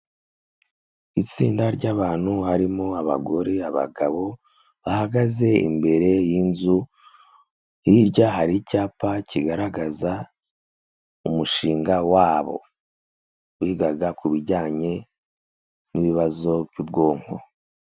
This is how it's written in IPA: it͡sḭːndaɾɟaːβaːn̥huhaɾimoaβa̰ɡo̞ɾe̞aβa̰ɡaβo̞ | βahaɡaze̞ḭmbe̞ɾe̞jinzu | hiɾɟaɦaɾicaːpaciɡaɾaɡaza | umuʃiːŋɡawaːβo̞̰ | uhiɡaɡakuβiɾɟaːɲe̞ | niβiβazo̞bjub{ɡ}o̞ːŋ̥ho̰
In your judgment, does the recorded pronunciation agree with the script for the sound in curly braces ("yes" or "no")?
yes